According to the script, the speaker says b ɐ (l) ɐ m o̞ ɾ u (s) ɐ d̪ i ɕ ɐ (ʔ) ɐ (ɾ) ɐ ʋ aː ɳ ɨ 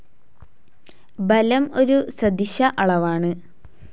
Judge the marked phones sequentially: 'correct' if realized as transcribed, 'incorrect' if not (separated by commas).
correct, correct, correct, incorrect